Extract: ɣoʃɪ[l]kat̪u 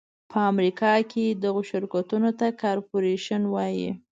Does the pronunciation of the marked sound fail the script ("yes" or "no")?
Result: yes